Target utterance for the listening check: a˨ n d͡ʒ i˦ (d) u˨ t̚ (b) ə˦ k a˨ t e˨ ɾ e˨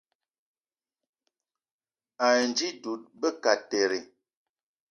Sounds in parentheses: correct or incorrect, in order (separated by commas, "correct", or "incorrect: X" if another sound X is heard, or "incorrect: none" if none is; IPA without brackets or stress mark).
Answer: correct, correct